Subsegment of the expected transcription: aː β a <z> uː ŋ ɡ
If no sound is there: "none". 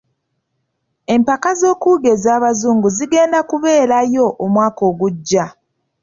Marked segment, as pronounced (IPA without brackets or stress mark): z